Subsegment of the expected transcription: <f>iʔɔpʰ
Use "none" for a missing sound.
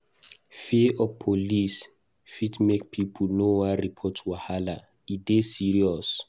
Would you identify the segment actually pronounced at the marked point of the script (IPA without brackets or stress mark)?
f